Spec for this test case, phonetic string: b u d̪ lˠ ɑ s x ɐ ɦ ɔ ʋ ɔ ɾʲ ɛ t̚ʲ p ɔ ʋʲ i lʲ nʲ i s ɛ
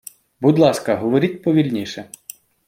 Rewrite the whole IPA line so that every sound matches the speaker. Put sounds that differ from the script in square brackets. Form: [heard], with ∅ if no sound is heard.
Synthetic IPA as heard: b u d̪ lˠ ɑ s [k] ɐ ɦ ɔ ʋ ɔ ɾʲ [i] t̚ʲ p ɔ ʋʲ i lʲ nʲ i [ʃ] ɛ

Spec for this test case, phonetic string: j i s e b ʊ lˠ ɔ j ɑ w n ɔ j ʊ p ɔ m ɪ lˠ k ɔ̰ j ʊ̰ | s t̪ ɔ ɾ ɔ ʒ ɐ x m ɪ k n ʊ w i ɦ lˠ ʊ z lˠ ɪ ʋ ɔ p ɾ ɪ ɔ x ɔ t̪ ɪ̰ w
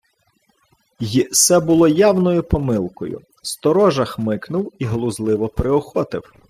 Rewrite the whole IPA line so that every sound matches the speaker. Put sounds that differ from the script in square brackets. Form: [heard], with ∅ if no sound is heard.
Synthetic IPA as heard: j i s [ɛ] b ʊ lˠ ɔ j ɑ w n ɔ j ʊ p ɔ m ɪ lˠ k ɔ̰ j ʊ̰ | s t̪ ɔ ɾ ɔ ʒ ɐ x m ɪ k n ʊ w i ɦ lˠ ʊ z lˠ ɪ ʋ ɔ p ɾ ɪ ɔ x ɔ t̪ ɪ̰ w

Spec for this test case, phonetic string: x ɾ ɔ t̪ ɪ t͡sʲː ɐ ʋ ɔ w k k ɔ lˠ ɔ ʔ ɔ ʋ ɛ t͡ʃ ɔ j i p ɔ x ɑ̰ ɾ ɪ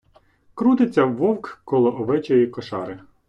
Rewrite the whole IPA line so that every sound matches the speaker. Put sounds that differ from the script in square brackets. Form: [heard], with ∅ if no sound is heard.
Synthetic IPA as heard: [k] ɾ [u] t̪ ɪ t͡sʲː ɐ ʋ ɔ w k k ɔ lˠ ɔ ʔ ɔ ʋ ɛ t͡ʃ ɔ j i [k] ɔ [ʃ] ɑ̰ ɾ ɪ

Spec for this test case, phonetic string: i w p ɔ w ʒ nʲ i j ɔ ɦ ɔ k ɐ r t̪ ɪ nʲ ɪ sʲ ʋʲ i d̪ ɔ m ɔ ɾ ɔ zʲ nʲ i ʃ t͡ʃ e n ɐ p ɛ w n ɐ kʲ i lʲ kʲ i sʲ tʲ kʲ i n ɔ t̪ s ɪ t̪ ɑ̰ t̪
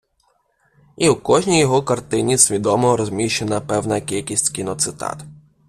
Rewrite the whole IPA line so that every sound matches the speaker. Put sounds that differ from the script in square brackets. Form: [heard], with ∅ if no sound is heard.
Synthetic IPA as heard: i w [k] ɔ [∅] ʒ nʲ i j ɔ ɦ ɔ k ɐ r t̪ ɪ nʲ [i] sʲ ʋʲ i d̪ ɔ m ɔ ɾ ɔ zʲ [mʲ] i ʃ t͡ʃ e n ɐ p ɛ w n ɐ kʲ i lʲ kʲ i sʲ tʲ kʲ i n ɔ t̪ s ɪ t̪ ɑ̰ t̪

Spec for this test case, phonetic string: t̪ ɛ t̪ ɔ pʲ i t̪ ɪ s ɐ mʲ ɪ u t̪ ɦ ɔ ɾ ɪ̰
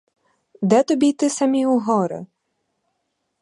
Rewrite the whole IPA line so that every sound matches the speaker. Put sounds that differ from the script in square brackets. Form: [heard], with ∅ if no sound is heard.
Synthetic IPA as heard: [d̪] ɛ t̪ ɔ [bʲ] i t̪ ɪ s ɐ mʲ [i] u [∅] ɦ ɔ ɾ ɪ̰

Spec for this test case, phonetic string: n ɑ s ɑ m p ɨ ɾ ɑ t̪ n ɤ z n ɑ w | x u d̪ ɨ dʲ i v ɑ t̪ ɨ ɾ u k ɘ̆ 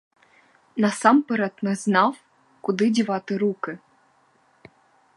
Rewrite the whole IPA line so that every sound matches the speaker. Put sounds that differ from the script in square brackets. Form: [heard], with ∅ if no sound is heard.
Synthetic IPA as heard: n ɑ s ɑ m p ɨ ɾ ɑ t̪ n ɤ z n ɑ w | [k] u d̪ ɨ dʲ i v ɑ t̪ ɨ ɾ u k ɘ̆

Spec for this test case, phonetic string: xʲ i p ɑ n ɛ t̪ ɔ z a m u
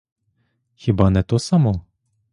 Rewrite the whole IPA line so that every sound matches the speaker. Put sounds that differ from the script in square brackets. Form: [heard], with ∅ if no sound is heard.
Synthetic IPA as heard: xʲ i [b] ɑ n ɛ t̪ ɔ [s] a m [ɔ]

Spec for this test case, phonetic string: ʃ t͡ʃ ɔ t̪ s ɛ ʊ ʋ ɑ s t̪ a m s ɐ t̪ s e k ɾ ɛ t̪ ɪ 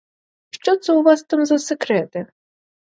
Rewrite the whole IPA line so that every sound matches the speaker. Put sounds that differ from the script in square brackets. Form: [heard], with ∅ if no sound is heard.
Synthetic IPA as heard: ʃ t͡ʃ ɔ t̪ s ɛ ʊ ʋ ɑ s t̪ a m [z] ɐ [∅] s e k ɾ ɛ t̪ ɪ

